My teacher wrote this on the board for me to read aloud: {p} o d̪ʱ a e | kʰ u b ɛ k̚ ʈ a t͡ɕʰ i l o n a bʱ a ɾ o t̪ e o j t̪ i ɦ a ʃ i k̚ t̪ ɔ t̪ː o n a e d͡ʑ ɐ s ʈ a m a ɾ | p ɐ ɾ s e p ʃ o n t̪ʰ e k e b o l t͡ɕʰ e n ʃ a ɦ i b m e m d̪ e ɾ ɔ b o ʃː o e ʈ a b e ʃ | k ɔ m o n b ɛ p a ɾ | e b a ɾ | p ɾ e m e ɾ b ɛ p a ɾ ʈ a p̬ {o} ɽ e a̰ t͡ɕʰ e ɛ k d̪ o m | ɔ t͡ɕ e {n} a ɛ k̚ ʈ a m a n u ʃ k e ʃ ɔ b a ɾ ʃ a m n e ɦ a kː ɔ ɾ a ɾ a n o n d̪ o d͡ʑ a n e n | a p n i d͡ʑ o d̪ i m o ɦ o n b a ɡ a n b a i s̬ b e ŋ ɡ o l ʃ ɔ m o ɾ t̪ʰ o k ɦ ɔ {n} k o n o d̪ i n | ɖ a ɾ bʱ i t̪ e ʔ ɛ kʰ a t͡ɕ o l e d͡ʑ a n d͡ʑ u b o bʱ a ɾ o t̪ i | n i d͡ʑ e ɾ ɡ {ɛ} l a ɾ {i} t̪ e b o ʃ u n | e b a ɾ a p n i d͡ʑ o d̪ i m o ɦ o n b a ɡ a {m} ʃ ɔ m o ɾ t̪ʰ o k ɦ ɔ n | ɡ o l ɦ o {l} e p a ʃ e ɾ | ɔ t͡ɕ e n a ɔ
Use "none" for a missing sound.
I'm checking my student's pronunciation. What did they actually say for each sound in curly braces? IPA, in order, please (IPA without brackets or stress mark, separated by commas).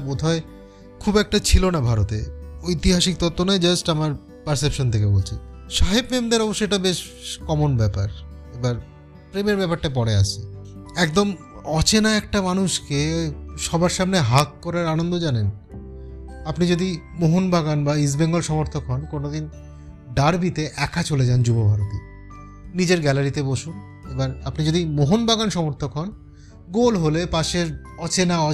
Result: b, ɔ, n, n, ɛ, i, n, l